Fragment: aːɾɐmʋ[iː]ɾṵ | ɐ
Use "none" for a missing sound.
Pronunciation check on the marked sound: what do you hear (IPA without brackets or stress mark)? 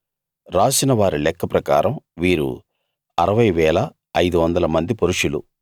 iː